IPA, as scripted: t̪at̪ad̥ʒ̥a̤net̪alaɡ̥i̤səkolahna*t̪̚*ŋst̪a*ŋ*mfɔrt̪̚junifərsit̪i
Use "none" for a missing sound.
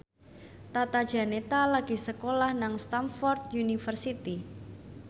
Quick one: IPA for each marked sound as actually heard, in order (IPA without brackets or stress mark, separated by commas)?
none, none